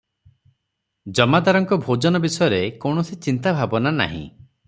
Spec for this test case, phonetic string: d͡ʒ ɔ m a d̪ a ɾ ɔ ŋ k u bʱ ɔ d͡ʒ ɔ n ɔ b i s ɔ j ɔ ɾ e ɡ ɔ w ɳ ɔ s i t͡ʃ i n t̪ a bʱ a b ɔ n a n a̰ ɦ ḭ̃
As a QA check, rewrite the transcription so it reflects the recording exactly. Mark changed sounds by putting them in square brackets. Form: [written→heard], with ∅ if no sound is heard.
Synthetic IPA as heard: d͡ʒ ɔ m a d̪ a ɾ ɔ ŋ k [u→ɔ] bʱ [ɔ→o] d͡ʒ ɔ n ɔ b i s ɔ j ɔ ɾ e [ɡ→k] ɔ w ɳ ɔ s i t͡ʃ i n t̪ a bʱ a b ɔ n a n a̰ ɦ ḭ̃